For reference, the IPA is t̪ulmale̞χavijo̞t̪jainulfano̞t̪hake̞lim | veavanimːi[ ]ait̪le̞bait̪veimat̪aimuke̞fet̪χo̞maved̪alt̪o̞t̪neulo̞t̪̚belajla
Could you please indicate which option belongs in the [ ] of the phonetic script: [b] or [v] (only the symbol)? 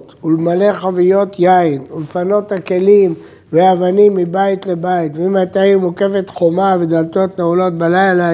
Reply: b